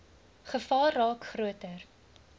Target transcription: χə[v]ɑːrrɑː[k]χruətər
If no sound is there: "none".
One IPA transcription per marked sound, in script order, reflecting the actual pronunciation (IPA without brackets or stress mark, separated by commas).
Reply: f, k